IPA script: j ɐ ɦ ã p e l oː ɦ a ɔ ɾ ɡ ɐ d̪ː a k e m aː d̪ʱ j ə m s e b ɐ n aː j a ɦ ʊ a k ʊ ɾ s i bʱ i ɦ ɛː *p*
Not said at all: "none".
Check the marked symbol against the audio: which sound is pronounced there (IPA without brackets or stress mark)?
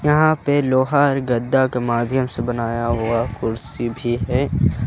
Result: none